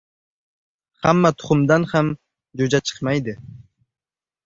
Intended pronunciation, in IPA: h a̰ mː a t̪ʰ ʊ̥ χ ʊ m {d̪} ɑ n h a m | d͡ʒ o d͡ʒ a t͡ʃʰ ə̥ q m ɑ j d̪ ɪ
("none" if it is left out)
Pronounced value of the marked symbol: d̪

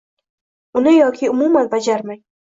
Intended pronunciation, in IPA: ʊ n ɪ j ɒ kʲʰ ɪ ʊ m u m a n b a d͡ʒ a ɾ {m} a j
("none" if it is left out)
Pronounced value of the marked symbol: m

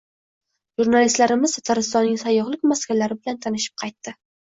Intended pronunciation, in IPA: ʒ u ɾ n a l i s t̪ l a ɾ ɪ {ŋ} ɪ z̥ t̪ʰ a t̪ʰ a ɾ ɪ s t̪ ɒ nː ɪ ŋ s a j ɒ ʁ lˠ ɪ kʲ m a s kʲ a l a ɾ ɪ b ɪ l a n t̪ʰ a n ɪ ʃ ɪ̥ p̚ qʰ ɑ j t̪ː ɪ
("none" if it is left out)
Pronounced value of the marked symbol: m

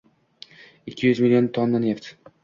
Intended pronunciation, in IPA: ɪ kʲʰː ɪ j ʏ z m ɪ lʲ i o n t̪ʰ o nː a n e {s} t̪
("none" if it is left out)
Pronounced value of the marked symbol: f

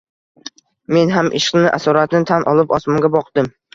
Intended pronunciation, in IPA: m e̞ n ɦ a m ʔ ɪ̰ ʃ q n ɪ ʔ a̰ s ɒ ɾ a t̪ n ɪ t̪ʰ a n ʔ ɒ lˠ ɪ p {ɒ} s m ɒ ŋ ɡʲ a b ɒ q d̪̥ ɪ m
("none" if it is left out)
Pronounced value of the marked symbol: ɒ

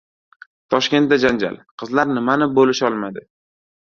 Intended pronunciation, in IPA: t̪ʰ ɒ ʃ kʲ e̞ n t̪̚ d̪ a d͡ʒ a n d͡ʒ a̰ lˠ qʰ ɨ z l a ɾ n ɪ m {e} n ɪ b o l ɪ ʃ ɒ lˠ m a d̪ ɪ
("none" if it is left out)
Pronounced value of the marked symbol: a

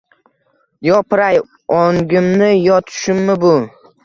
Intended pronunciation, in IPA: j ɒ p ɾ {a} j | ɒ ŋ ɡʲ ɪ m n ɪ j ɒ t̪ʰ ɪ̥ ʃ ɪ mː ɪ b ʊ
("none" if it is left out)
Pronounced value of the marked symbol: a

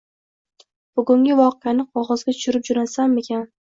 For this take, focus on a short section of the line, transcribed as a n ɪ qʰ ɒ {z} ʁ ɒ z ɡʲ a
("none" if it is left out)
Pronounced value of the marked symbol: none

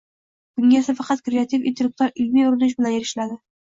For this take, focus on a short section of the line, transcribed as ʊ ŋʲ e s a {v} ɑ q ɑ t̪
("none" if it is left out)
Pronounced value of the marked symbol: f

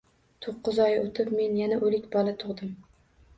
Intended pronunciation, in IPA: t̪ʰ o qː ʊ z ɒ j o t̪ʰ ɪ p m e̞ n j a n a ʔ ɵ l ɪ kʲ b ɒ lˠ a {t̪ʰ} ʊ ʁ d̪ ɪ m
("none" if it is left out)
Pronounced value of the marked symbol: t̪ʰ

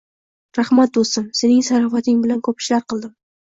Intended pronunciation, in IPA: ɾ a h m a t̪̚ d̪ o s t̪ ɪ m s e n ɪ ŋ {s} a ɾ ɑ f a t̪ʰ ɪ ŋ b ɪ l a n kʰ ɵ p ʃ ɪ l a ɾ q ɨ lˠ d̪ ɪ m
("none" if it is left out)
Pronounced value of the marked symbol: s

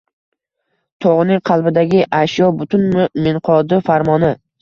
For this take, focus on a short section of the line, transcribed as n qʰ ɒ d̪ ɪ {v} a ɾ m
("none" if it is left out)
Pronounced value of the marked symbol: f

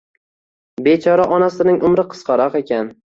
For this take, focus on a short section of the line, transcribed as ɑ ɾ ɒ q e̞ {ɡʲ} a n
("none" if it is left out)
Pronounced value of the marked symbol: kʲ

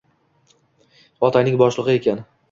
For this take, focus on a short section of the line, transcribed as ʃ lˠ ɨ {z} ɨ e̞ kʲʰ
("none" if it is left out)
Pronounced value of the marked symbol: ʁ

